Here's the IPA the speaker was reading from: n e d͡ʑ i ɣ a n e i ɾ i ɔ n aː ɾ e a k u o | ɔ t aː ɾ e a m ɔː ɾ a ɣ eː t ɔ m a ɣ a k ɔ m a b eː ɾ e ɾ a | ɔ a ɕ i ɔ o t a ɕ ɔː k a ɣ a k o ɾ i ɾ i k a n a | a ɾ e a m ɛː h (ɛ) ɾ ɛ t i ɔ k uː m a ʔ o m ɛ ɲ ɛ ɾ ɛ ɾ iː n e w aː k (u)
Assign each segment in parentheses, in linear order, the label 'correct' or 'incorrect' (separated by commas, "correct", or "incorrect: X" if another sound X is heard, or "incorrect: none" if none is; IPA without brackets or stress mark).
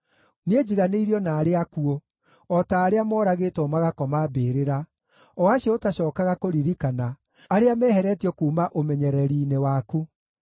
correct, correct